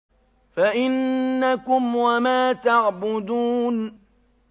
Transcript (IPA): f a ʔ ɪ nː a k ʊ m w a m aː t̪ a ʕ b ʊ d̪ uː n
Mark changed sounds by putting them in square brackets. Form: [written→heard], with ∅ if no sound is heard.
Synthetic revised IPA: f a ʔ ɪ nː a k ʊ m w a m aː t̪ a ʕ b ʊ d̪ uː n